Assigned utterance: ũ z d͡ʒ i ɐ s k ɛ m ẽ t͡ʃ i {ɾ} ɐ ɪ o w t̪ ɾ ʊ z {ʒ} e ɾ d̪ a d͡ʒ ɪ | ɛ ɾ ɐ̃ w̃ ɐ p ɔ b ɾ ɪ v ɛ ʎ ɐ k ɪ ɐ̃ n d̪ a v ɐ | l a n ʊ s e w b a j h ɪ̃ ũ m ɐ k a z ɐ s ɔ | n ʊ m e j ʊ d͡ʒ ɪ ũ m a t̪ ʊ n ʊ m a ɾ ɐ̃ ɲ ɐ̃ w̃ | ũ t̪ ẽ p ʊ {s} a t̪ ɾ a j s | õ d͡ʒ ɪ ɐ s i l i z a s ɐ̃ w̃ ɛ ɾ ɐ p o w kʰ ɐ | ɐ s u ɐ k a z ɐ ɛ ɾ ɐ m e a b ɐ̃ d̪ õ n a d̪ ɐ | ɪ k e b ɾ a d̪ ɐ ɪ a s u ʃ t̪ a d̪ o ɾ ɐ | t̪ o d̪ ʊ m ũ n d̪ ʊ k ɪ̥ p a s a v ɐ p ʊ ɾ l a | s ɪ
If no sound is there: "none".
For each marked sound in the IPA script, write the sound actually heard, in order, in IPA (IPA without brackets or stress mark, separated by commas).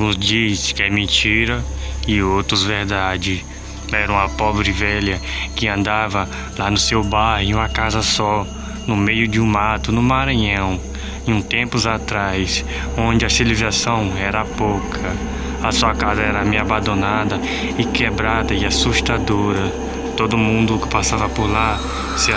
ɾ, v, z